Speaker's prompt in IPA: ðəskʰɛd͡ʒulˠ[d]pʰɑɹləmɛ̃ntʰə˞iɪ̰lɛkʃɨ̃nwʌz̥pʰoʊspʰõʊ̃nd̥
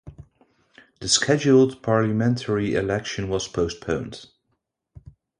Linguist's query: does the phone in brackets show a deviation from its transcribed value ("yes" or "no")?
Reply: no